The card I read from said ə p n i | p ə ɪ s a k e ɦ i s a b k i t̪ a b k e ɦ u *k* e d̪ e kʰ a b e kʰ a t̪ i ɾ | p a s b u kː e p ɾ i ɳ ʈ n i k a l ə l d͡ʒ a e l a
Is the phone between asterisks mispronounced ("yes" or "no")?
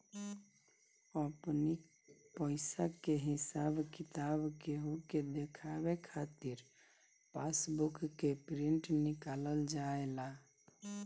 no